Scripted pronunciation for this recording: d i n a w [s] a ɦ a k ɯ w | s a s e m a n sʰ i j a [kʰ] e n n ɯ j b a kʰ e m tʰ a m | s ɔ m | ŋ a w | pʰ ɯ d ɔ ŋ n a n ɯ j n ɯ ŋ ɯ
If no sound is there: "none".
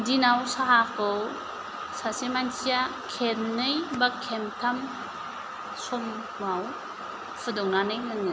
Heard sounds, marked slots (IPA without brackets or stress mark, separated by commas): s, kʰ